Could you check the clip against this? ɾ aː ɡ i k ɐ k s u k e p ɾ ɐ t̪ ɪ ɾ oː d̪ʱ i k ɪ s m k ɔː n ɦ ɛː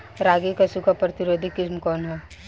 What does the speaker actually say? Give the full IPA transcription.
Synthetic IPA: ɾ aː ɡ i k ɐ s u k a p ɾ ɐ t̪ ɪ ɾ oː d̪ʱ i k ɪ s m k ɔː n ɦ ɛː